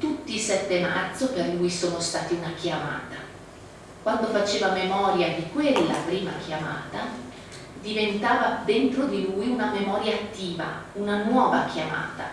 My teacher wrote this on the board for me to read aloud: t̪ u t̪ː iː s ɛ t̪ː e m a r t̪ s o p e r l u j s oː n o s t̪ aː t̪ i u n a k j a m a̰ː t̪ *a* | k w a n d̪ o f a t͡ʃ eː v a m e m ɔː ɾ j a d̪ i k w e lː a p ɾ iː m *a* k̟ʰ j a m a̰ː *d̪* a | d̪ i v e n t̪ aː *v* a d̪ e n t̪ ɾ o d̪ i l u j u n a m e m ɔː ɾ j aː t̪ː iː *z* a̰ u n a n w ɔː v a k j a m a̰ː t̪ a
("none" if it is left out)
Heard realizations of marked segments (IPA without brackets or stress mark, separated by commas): a, a, t̪, v, v